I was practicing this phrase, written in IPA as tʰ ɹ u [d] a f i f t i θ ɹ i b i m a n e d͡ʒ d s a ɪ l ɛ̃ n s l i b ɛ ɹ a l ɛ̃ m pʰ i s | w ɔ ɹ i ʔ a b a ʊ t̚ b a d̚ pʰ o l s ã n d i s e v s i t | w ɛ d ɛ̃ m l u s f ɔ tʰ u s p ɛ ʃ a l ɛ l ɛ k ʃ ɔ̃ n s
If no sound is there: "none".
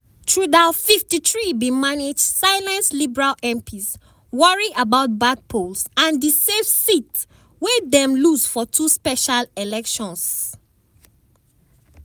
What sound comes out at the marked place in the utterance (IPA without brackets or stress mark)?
d